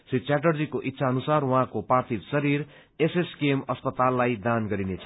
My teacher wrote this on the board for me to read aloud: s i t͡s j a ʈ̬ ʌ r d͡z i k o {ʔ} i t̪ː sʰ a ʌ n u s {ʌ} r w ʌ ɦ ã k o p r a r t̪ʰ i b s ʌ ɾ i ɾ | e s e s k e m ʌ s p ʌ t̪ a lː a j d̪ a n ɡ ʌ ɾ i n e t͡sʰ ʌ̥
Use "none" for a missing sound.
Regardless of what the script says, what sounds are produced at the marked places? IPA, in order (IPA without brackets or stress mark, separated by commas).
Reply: ʔ, a